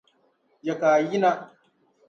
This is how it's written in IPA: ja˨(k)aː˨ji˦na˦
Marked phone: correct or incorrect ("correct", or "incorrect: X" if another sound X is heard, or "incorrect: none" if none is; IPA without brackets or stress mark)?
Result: correct